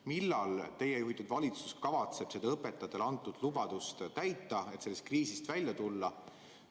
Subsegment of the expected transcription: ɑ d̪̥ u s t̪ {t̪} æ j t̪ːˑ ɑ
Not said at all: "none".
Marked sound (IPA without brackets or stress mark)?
t̪